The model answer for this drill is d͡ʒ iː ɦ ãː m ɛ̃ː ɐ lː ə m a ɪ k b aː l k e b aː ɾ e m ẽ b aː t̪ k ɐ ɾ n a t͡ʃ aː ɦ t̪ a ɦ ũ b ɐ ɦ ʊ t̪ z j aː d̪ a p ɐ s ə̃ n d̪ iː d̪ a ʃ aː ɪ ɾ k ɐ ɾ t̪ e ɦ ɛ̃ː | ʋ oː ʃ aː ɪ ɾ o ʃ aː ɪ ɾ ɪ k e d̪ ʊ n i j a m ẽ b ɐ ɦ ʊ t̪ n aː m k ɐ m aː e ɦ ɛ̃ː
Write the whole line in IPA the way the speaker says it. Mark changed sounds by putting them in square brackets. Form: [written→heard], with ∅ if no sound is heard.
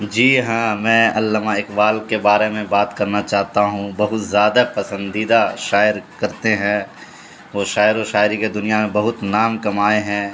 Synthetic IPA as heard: d͡ʒ iː ɦ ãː m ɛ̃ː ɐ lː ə m a ɪ k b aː l k e b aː ɾ e m ẽ b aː t̪ k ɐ ɾ n a t͡ʃ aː ɦ t̪ a ɦ ũ b ɐ ɦ ʊ t̪ z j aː d̪ a p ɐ s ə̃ n d̪ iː d̪ a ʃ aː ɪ ɾ k ɐ ɾ t̪ e ɦ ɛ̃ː | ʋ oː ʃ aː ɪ ɾ o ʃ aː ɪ ɾ [ɪ→i] k e d̪ ʊ n i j a m ẽ b ɐ ɦ ʊ t̪ n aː m k ɐ m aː e ɦ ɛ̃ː